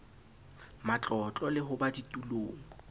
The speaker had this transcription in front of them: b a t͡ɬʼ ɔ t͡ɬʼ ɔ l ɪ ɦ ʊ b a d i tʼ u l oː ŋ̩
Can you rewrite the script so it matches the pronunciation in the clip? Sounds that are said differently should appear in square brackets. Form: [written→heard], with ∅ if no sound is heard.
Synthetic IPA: [b→m] a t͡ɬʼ ɔ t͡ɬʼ ɔ l ɪ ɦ ʊ b a d i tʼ u l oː ŋ̩